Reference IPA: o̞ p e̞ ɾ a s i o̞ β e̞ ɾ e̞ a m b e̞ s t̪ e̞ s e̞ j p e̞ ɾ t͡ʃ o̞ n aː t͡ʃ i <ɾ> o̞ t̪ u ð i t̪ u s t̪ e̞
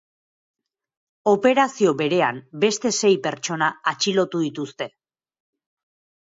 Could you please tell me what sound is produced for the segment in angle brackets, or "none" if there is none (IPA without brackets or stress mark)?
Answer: l